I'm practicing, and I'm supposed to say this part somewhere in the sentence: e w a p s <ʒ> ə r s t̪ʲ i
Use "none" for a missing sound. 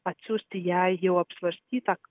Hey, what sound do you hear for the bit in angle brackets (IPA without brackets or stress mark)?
v